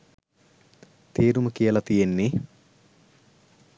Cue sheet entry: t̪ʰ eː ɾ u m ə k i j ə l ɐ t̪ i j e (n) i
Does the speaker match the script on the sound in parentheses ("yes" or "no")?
no